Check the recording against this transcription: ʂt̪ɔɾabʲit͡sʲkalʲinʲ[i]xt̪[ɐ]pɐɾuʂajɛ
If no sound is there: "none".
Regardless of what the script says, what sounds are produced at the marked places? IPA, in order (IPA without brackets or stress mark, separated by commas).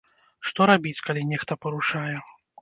ɛ, ɐ